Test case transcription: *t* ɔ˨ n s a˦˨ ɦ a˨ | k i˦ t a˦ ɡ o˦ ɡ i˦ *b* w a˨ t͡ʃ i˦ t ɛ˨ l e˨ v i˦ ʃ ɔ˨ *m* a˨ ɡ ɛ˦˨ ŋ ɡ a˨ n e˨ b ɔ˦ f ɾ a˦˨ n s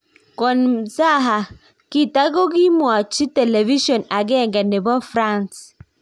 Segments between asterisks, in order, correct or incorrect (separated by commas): incorrect, incorrect, incorrect